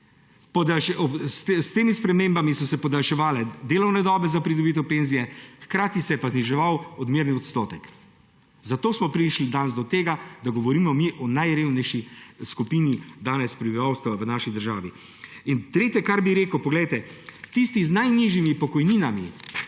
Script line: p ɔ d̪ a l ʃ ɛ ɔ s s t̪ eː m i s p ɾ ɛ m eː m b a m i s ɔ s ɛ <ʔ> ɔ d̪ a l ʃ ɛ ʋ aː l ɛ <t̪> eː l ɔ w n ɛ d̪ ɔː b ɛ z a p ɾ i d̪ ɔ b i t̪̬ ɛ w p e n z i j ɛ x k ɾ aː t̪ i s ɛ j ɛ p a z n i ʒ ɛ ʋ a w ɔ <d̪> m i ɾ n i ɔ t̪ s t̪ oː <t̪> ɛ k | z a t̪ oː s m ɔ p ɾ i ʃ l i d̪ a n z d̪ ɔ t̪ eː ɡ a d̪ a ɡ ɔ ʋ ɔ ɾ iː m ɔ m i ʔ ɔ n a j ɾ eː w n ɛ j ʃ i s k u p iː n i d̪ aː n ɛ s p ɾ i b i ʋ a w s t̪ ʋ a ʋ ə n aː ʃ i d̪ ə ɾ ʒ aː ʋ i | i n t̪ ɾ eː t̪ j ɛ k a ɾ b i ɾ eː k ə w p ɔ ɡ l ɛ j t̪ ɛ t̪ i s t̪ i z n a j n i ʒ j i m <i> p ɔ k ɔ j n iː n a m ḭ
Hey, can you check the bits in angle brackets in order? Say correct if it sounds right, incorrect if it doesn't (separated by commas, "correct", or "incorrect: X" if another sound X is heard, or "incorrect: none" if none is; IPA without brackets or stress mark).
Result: incorrect: p, incorrect: d̪, correct, correct, correct